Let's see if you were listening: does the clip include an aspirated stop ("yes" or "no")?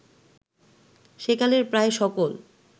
no